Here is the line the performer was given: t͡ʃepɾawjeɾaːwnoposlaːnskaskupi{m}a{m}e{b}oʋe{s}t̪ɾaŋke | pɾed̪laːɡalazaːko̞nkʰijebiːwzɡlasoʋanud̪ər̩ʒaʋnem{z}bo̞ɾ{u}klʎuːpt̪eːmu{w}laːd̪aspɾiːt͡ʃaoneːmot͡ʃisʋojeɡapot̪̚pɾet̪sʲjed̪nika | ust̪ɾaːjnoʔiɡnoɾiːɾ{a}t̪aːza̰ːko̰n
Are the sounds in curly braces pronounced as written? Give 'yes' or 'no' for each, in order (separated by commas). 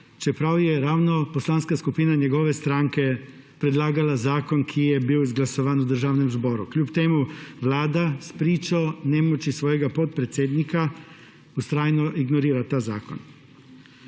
no, no, no, yes, yes, yes, no, yes